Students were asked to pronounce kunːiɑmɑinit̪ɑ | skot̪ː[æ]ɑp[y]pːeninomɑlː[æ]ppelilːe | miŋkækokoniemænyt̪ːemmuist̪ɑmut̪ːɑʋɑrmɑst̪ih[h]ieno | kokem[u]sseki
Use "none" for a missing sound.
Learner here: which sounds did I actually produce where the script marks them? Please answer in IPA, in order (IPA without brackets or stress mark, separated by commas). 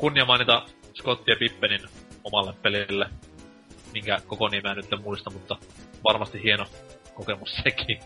i, i, e, h, u